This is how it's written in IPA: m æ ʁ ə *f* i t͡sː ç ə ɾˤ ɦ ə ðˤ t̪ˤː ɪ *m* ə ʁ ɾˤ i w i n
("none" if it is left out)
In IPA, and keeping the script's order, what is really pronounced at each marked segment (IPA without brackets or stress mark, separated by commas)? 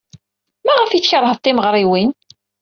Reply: f, m